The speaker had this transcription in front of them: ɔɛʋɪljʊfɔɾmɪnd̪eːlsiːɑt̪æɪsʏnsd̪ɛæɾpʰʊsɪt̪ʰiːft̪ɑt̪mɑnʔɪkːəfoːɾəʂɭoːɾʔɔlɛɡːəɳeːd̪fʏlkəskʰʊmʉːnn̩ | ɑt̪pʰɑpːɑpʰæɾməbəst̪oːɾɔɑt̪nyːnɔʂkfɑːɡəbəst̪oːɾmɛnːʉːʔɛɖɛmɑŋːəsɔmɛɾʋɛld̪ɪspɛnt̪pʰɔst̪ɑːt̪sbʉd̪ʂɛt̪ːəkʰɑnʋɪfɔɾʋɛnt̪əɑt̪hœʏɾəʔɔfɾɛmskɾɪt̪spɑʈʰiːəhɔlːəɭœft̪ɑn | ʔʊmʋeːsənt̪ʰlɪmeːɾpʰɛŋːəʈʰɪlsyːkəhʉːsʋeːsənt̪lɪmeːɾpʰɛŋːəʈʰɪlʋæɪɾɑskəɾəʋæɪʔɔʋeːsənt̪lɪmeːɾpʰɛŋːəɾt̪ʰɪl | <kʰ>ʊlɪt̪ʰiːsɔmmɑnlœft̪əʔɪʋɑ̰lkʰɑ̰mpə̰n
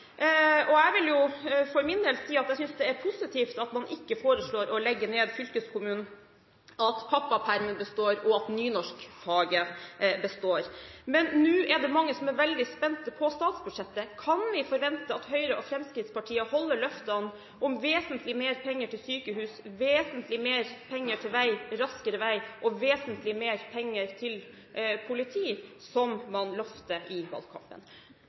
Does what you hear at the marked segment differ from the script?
yes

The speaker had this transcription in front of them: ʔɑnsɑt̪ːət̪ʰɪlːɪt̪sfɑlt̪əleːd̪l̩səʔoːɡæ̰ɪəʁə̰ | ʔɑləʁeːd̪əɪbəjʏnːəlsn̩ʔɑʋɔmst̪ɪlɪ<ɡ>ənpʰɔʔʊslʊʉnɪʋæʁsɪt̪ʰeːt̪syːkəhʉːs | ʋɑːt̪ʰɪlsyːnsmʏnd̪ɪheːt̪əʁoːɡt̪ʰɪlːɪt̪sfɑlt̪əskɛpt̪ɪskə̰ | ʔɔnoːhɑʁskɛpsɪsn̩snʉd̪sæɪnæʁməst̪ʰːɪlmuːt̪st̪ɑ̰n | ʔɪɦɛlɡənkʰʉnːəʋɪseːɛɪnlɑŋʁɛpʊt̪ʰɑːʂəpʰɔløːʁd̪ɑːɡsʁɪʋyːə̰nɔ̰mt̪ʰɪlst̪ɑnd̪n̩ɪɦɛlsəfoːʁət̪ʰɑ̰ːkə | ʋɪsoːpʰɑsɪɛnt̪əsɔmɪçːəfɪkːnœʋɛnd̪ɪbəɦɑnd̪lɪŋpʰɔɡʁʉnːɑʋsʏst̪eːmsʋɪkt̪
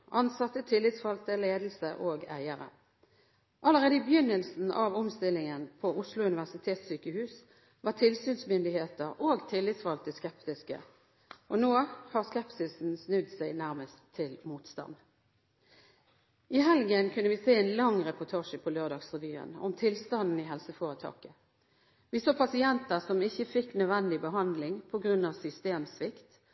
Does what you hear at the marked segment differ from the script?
yes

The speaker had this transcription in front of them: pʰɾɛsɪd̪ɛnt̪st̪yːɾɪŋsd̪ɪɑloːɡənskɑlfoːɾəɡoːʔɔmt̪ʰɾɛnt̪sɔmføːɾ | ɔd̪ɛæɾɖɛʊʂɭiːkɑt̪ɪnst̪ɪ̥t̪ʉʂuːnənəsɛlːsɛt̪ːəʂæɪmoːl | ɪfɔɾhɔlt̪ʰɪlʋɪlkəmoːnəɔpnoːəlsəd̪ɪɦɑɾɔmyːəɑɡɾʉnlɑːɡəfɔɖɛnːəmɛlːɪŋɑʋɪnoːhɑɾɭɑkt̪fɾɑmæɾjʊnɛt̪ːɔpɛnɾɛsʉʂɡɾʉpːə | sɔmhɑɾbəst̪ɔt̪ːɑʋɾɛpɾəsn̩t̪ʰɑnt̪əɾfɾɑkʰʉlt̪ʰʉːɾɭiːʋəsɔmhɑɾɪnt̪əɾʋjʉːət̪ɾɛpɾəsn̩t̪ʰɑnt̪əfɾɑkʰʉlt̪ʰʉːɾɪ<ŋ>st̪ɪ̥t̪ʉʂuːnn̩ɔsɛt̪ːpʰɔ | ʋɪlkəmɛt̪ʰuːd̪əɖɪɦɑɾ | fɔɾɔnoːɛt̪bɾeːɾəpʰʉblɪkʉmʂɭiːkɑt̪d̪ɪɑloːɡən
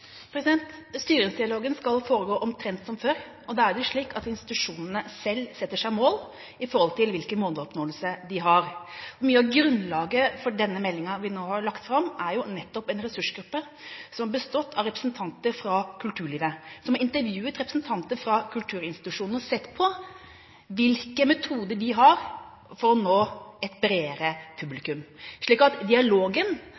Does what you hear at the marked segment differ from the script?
yes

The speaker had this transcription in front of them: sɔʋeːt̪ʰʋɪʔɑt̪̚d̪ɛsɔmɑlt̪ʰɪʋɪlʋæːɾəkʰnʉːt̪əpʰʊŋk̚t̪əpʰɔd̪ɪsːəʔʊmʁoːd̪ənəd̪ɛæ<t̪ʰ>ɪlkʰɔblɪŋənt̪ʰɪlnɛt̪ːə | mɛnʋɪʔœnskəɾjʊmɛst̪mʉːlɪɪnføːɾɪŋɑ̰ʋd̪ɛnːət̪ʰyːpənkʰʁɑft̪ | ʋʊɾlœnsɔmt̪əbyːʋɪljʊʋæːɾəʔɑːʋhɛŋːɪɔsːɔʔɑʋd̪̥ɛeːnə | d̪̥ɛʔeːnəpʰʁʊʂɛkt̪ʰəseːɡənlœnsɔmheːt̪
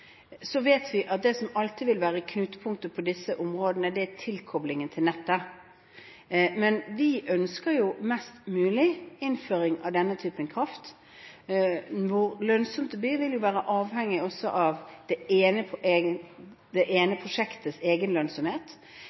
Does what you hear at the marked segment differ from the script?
no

